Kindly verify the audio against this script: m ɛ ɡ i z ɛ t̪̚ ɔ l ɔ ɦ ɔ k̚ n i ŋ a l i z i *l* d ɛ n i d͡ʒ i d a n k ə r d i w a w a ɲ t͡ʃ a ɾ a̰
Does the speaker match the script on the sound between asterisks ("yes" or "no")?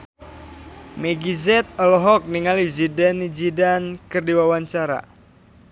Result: no